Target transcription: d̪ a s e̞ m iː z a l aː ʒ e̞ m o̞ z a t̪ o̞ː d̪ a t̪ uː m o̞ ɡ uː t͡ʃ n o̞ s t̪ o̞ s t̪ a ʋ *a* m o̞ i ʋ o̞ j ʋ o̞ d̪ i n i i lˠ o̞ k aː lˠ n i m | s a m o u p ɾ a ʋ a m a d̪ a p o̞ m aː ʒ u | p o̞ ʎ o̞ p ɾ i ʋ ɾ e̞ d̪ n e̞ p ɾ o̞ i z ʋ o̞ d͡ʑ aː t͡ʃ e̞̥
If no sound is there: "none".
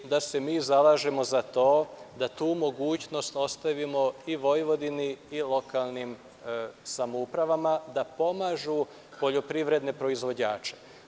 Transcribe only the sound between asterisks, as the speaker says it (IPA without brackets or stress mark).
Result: i